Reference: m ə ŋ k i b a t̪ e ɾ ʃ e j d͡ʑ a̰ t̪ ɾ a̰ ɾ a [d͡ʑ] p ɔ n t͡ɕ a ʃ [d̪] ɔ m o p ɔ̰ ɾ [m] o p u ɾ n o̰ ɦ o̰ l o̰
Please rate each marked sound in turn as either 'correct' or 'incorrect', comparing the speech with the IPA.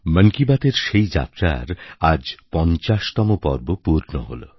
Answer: correct, incorrect: t̪, incorrect: b

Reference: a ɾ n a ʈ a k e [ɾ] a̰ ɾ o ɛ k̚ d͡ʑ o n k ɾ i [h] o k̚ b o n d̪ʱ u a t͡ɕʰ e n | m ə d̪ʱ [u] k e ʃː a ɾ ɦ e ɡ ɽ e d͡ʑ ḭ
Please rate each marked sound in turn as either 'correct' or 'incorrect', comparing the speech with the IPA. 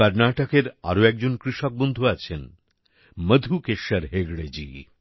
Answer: correct, incorrect: ʃ, correct

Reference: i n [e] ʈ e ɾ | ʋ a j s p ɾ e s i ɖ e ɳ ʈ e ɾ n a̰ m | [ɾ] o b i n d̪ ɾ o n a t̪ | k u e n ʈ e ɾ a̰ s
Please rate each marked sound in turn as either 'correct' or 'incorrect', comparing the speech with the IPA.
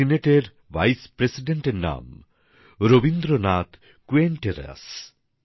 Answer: correct, correct

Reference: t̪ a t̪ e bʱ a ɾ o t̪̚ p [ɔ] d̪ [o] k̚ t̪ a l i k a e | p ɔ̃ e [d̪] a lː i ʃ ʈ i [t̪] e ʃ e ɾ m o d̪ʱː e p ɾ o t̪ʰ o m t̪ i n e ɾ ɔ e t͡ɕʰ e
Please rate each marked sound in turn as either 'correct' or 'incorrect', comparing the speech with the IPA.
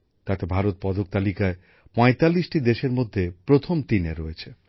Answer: correct, correct, incorrect: t̪, incorrect: d̪

